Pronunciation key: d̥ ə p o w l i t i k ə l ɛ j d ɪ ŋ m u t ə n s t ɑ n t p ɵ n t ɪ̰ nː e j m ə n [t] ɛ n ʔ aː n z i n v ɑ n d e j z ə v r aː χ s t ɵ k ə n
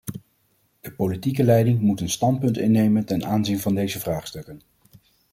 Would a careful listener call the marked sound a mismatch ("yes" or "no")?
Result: no